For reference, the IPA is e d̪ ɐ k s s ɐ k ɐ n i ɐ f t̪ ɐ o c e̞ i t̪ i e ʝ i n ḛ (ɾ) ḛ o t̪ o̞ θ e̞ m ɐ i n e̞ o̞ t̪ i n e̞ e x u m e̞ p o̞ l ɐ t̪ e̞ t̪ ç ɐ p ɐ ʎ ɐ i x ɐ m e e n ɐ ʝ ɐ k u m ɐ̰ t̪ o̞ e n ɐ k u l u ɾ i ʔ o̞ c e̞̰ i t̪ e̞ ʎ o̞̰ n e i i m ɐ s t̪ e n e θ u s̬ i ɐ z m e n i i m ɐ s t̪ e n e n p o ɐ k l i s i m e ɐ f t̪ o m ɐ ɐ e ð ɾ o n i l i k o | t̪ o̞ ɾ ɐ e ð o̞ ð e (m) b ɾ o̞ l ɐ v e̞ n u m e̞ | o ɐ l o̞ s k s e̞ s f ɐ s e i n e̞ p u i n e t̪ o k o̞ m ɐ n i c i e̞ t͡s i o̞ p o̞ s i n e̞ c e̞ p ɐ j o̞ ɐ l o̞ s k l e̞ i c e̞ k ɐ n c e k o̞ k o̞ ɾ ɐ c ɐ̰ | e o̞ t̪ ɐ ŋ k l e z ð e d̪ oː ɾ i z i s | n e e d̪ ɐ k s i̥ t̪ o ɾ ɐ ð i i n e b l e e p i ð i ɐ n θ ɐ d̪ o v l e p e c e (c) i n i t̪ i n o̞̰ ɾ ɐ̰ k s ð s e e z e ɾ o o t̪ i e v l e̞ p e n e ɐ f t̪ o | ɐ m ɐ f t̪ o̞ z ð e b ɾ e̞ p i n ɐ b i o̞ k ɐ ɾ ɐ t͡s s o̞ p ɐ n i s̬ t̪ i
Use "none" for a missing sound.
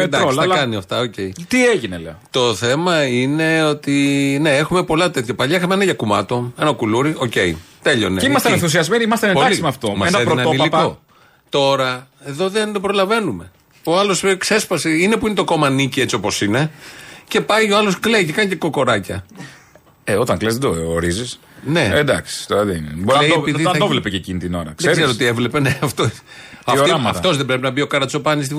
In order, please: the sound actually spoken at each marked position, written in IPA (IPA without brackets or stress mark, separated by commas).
l, n, c